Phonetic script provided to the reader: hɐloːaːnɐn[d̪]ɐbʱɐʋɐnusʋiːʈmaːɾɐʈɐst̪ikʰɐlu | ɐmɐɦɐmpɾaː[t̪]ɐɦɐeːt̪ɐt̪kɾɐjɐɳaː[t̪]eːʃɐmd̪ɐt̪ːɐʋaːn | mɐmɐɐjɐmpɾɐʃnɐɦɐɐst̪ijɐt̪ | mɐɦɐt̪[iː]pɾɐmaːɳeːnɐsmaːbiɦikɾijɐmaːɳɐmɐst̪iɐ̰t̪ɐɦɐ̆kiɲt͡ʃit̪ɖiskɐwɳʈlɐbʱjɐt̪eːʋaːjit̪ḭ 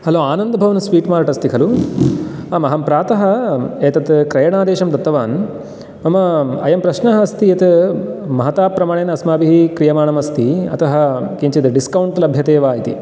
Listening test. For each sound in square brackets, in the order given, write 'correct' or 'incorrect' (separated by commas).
correct, correct, incorrect, incorrect